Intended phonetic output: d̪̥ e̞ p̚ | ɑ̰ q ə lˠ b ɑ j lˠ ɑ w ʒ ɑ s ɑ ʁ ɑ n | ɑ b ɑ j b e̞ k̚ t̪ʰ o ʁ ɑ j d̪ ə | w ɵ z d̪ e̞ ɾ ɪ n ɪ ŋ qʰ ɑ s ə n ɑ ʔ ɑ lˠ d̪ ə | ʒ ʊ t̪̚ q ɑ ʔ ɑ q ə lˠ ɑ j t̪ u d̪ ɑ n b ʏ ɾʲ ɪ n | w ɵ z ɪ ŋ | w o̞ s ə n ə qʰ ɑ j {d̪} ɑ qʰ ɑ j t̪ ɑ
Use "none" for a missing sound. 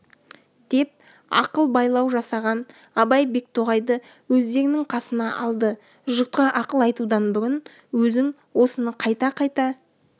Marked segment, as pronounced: t̪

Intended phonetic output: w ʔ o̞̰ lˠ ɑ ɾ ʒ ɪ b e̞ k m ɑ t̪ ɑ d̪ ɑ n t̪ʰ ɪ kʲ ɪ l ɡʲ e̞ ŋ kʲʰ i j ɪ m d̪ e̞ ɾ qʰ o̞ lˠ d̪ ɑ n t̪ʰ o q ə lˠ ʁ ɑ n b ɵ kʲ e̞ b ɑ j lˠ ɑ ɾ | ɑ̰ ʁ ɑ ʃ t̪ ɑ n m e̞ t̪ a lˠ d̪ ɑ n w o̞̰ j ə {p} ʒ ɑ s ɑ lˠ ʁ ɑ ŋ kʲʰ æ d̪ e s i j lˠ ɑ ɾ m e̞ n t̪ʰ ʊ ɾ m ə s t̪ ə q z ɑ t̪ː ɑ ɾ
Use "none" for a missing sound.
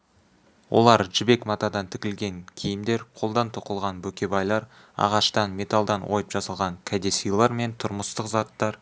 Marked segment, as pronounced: p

